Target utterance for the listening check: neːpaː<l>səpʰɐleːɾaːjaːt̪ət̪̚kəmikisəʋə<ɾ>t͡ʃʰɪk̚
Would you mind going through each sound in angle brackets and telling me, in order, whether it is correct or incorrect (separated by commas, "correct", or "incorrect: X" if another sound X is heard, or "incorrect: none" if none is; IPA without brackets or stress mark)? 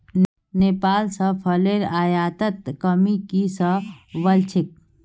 correct, incorrect: l